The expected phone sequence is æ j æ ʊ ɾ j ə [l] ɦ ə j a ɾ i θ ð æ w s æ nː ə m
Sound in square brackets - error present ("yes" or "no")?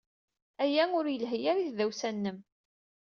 no